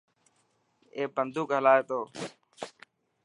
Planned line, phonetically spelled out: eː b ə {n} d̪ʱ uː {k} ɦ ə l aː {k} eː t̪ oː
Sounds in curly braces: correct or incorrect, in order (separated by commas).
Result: correct, correct, incorrect